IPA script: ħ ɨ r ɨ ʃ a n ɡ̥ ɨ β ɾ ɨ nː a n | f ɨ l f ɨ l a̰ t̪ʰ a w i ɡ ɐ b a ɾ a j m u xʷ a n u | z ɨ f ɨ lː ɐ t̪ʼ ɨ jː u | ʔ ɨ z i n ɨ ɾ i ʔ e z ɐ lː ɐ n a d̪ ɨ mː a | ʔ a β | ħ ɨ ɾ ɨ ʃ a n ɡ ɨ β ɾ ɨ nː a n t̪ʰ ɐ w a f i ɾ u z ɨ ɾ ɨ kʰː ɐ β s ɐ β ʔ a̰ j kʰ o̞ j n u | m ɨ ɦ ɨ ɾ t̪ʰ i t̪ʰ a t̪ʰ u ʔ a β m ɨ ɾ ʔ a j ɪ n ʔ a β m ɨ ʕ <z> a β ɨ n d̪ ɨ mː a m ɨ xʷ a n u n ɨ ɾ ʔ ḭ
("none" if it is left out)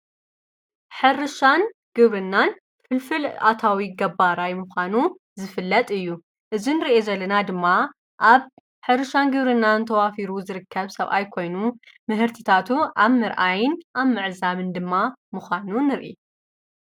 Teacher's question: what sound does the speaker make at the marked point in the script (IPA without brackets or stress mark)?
z